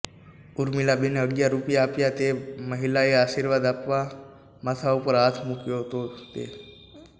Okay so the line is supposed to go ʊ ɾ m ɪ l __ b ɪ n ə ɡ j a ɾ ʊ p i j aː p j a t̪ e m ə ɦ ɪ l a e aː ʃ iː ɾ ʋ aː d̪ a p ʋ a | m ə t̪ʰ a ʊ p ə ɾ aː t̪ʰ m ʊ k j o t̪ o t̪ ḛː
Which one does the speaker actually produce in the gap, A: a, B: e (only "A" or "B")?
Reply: A